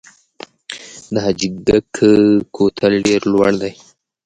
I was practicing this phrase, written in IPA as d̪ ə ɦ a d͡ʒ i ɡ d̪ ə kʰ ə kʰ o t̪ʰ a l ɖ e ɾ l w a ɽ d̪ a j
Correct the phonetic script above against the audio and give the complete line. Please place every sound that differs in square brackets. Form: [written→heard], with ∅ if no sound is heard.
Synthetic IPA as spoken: d̪ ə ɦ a d͡ʒ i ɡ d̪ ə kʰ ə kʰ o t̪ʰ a l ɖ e ɾ l w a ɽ d̪ a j